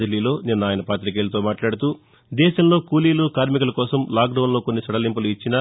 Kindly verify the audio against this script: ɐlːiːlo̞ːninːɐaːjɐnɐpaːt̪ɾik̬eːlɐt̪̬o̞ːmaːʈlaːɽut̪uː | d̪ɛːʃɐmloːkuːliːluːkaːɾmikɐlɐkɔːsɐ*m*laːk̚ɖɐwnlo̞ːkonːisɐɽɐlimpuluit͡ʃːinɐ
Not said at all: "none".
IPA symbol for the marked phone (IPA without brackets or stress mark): m